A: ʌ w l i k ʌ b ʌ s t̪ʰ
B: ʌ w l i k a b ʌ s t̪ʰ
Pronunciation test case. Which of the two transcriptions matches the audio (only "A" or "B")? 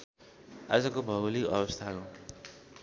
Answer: A